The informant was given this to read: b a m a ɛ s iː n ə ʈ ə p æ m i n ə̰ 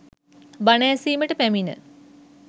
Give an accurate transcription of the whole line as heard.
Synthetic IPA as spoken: b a n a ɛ s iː m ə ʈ ə p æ m i n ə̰